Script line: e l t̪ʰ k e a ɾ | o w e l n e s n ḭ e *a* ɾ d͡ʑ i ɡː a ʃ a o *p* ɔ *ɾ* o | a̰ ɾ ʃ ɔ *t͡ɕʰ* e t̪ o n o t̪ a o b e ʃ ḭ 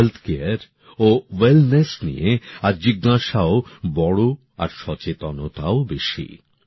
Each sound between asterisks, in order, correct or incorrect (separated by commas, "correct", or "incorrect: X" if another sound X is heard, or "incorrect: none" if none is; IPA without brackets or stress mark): correct, incorrect: b, incorrect: ɽ, incorrect: t͡ɕ